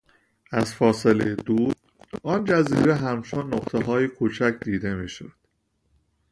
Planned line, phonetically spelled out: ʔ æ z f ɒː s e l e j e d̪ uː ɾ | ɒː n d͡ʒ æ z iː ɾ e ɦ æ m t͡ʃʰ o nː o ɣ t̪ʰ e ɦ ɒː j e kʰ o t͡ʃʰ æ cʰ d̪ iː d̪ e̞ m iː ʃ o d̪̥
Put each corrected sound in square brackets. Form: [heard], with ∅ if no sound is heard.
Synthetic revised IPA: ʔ æ z f ɒː s e l e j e d̪ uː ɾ | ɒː n d͡ʒ æ z iː ɾ e ɦ æ m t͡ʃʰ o nː o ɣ t̪ʰ e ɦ ɒː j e kʰ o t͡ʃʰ æ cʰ d̪ iː d̪ e̞ m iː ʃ o d̪̥